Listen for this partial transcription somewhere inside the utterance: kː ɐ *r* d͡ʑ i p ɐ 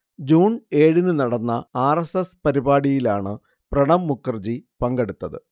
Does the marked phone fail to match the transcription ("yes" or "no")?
no